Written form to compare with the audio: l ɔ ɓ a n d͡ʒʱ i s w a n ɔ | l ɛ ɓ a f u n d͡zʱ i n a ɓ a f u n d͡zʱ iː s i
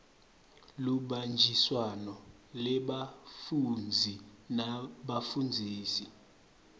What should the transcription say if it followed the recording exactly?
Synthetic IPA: l u ɓ a n d͡ʒʱ i s w a n ɔ | l ɛ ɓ a f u n d͡zʱ i n a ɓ a f u n d͡zʱ iː s i